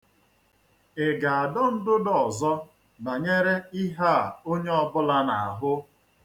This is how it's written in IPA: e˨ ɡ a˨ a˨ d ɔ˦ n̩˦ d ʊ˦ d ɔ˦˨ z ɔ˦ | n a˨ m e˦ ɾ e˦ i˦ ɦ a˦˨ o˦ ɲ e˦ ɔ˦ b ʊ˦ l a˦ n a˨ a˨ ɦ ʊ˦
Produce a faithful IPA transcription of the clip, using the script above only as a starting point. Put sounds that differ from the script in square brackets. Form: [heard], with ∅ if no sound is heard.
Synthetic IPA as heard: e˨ ɡ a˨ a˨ d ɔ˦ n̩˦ d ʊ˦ d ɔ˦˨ z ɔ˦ | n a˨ [ɲ] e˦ ɾ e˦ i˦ ɦ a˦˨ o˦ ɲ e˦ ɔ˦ b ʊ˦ l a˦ n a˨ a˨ ɦ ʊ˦